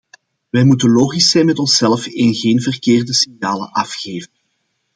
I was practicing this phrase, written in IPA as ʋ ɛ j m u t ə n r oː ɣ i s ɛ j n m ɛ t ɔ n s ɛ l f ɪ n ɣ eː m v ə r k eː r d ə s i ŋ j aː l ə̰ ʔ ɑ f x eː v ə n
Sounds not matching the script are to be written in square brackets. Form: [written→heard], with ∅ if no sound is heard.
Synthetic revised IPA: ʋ ɛ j m u t ə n [r→l] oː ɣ i s ɛ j n m ɛ t ɔ n s ɛ l f ɪ n ɣ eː [m→n] v ə r k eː r d ə s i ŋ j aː l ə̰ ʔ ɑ f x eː v ə n